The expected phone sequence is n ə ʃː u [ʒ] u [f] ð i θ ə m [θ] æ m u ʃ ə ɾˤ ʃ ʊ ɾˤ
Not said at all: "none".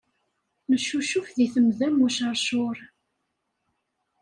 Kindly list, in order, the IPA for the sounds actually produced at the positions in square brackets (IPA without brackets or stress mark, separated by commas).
ʃ, f, ð